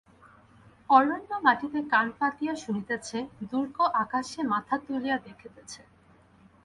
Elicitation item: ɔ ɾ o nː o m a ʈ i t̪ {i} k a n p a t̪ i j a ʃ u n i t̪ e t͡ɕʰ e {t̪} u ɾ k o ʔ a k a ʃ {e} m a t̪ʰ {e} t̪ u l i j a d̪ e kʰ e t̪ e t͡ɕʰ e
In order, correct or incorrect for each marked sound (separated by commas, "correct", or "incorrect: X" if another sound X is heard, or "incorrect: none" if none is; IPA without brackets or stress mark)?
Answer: incorrect: e, incorrect: d̪, correct, incorrect: a